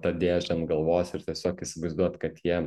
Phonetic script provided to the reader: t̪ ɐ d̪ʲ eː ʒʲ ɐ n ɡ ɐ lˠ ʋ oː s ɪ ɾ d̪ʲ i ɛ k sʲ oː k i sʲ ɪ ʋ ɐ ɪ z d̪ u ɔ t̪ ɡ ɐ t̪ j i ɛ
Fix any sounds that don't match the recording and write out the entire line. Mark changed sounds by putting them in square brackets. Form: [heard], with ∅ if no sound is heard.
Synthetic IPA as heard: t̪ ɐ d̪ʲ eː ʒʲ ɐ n ɡ ɐ lˠ ʋ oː s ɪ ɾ [t̪ʲ] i ɛ [∅] sʲ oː k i sʲ ɪ ʋ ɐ ɪ z d̪ u ɔ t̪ [k] ɐ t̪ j i ɛ

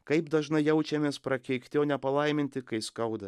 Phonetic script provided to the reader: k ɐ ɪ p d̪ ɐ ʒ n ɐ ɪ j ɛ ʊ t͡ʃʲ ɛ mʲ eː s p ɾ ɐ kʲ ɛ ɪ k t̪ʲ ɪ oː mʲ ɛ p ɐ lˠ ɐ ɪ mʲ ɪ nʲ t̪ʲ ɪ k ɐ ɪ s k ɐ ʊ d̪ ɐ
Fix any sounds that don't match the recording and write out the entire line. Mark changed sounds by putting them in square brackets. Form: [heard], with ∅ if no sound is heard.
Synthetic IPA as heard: k ɐ ɪ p d̪ ɐ ʒ n ɐ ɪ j ɛ ʊ t͡ʃʲ ɛ mʲ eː s p ɾ ɐ kʲ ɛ ɪ k t̪ʲ ɪ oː [nʲ] ɛ p ɐ lˠ ɐ ɪ mʲ ɪ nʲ t̪ʲ ɪ k ɐ ɪ s k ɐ ʊ d̪ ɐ

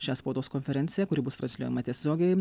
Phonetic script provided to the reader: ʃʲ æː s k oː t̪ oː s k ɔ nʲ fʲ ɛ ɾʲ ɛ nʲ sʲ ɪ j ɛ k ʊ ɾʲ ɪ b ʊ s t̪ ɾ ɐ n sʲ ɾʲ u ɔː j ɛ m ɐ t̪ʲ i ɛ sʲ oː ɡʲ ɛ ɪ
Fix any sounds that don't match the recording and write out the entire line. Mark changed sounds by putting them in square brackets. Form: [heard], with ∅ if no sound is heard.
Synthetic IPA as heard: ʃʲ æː s [p] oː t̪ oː s k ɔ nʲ fʲ ɛ ɾʲ ɛ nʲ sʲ ɪ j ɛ k ʊ ɾʲ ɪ b ʊ s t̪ ɾ ɐ n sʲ [lʲ] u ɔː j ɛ m ɐ t̪ʲ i ɛ sʲ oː ɡʲ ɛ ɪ

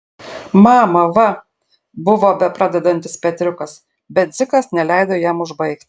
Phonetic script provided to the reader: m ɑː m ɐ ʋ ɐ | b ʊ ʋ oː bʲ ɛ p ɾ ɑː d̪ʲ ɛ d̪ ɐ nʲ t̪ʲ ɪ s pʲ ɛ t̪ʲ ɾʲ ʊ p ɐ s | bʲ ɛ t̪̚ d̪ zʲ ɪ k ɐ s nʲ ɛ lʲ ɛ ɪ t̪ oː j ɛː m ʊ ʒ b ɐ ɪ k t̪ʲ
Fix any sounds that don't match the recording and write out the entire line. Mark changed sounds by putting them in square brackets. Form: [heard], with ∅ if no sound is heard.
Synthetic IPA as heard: m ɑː m ɐ ʋ ɐ | b ʊ ʋ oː bʲ ɛ p ɾ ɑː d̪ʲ ɛ d̪ ɐ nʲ t̪ʲ ɪ s pʲ ɛ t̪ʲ ɾʲ ʊ [k] ɐ s | bʲ ɛ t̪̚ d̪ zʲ ɪ k ɐ s nʲ ɛ lʲ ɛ ɪ [d̪] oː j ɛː m ʊ ʒ b ɐ ɪ k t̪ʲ

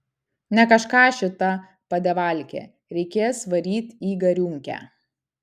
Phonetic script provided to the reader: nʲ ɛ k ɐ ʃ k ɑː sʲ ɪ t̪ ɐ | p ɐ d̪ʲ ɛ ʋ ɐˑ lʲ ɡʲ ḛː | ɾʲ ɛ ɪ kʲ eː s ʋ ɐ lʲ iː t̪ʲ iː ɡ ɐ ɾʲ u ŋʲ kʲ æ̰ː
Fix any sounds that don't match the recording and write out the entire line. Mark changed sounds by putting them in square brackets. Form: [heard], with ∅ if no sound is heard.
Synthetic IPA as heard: nʲ ɛ k ɐ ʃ k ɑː [ʃʲ] ɪ t̪ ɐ | p ɐ d̪ʲ ɛ ʋ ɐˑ lʲ [kʲ] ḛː | ɾʲ ɛ ɪ kʲ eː s ʋ ɐ [ɾʲ] iː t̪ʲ iː ɡ ɐ ɾʲ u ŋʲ kʲ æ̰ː

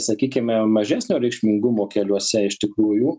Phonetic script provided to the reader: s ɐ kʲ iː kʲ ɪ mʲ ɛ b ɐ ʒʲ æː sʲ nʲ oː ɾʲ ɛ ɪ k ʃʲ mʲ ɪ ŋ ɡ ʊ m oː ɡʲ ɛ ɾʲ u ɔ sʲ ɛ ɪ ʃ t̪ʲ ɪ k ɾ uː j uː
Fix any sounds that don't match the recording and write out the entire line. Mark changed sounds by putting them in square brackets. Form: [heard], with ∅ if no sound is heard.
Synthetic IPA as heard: s ɐ kʲ iː kʲ ɪ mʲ ɛ [m] ɐ ʒʲ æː sʲ nʲ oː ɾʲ ɛ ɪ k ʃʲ mʲ ɪ ŋ ɡ ʊ m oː [kʲ] ɛ [lʲ] u ɔ sʲ ɛ ɪ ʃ t̪ʲ ɪ k ɾ uː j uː

